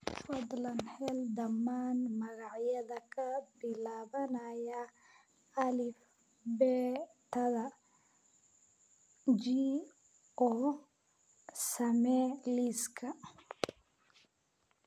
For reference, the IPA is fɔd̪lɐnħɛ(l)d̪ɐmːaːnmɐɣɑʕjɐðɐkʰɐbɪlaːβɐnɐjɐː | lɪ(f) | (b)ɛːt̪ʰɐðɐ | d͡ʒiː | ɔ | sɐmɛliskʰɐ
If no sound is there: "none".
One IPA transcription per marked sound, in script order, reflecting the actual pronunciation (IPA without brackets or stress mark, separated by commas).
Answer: l, f, b